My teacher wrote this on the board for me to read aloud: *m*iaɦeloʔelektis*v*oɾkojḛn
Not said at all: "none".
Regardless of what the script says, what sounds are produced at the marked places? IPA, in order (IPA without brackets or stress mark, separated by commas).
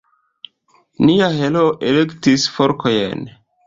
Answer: n, f